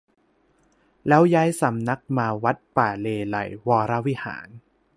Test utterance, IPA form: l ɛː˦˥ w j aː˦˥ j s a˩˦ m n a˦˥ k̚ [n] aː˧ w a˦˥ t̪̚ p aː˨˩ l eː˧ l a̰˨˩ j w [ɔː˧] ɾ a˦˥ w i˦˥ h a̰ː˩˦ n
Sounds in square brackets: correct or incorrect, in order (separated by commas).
incorrect, correct